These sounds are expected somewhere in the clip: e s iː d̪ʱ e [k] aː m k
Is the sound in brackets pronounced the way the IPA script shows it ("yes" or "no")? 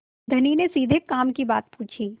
yes